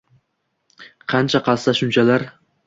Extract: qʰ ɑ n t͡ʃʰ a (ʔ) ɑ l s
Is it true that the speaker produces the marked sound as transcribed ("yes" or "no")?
no